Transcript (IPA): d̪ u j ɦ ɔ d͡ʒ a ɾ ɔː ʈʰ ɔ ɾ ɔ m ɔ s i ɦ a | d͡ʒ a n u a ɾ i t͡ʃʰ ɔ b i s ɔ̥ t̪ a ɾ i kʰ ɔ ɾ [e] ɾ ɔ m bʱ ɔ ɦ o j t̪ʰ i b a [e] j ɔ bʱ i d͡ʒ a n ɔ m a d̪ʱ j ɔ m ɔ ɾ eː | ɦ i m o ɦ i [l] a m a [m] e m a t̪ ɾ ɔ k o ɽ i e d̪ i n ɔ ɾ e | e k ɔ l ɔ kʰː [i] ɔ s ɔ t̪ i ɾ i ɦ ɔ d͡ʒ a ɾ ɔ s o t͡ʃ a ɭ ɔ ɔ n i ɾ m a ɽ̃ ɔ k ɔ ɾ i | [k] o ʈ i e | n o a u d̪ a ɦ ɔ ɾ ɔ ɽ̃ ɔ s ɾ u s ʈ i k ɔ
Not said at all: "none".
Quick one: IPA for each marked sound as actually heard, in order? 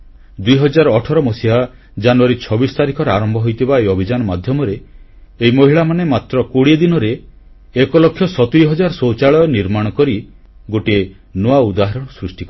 a, e, ɭ, n, j, ɡ

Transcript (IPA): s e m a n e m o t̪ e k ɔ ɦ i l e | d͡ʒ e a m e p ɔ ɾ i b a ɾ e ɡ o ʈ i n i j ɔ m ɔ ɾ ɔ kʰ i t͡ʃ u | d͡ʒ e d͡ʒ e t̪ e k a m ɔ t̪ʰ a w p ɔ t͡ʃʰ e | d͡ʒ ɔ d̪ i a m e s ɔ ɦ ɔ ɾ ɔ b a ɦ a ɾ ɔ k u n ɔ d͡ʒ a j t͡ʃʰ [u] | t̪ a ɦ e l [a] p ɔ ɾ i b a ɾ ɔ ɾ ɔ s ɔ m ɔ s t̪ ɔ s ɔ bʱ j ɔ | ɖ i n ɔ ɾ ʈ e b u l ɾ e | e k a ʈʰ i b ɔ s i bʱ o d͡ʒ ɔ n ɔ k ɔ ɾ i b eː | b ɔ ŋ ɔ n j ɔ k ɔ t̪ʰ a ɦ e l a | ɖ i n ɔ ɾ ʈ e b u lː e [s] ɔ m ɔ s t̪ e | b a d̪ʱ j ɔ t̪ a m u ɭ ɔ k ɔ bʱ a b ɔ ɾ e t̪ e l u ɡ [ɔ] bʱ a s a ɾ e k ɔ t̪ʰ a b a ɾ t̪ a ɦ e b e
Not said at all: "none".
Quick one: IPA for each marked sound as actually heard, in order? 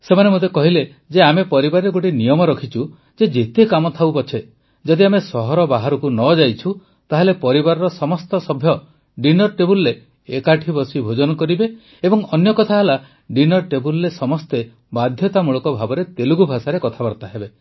u, e, s, u

